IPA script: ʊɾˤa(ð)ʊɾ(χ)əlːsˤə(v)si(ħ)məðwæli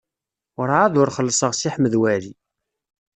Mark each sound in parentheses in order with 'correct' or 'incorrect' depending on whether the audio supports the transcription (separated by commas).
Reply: correct, correct, incorrect, correct